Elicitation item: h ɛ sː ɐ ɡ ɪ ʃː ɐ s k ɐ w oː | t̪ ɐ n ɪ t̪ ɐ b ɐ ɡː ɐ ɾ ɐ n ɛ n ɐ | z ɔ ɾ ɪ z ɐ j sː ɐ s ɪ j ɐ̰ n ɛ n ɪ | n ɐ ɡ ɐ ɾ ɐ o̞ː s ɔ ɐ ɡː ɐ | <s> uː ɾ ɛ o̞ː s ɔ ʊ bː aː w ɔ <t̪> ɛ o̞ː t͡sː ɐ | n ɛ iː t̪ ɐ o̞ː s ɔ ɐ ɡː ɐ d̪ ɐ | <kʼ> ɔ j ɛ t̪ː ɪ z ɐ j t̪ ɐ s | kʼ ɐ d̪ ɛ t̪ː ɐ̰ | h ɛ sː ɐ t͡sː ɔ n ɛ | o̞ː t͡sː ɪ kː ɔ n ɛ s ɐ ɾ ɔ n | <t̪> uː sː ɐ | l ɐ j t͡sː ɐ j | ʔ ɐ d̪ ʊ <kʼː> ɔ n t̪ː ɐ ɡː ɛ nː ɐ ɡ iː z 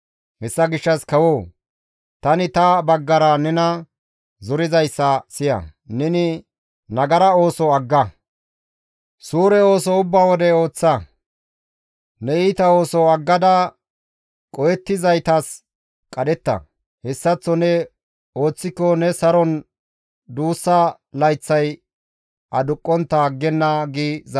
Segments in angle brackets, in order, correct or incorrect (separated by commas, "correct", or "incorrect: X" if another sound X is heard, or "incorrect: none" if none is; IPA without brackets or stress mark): correct, incorrect: d̪, correct, incorrect: d̪, correct